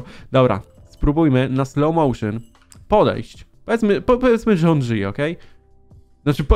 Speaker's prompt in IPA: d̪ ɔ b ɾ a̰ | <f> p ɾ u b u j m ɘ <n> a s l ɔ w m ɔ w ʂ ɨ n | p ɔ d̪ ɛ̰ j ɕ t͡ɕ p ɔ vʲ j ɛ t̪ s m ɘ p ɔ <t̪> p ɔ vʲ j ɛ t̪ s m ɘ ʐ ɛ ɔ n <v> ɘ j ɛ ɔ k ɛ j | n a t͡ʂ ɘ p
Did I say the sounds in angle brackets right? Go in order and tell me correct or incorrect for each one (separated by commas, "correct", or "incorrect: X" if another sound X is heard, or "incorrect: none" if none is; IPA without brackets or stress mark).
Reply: incorrect: s, correct, incorrect: none, incorrect: ʐ